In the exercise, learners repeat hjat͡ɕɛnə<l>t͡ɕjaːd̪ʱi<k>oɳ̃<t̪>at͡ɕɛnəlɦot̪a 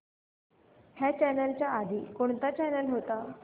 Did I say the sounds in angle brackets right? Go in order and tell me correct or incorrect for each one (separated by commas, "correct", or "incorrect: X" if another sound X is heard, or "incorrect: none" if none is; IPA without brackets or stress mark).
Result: correct, correct, correct